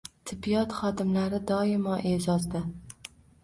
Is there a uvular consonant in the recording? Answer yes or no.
yes